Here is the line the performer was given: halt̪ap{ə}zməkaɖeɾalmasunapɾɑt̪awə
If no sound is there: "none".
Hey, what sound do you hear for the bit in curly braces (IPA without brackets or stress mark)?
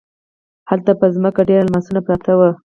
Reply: ə